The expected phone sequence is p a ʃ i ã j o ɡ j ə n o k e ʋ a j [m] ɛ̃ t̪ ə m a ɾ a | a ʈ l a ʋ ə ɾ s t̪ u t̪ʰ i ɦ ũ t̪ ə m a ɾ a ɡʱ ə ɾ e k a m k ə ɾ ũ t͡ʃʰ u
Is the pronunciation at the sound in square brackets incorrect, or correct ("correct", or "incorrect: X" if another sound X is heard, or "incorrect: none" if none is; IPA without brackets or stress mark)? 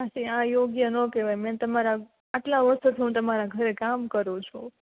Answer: correct